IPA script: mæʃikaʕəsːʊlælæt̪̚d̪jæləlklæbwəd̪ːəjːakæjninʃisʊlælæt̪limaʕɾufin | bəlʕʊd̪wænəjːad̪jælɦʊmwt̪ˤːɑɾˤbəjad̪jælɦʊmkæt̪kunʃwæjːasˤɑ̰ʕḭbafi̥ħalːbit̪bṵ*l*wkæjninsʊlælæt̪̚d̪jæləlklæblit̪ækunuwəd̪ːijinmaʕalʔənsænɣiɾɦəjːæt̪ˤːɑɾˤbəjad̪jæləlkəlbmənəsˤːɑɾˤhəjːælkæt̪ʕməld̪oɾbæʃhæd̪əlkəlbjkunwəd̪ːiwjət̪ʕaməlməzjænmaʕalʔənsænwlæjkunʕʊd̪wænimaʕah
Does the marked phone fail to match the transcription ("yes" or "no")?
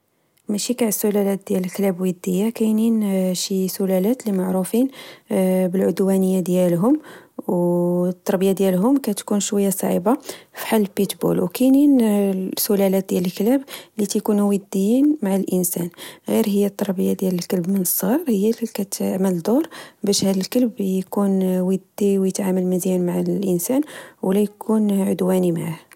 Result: no